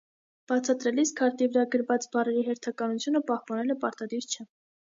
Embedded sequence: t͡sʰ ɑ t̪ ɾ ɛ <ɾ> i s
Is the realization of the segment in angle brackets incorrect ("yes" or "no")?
yes